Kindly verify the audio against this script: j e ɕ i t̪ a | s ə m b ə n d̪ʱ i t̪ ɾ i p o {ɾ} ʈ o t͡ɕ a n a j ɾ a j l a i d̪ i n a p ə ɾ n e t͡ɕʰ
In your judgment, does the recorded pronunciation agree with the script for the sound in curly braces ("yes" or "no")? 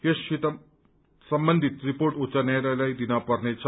yes